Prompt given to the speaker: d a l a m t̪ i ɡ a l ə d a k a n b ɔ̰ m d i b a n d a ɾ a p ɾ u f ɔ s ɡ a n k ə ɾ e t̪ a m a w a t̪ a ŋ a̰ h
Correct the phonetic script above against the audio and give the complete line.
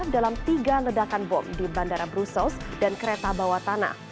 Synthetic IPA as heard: d a l a m t̪ i ɡ a l ə d a k a n b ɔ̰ m d i b a n d a ɾ a b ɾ u s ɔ s d a n k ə ɾ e t̪ a b a w a t̪ a n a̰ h